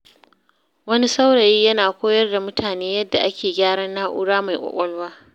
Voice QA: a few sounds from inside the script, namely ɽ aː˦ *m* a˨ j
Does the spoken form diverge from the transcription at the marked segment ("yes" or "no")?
no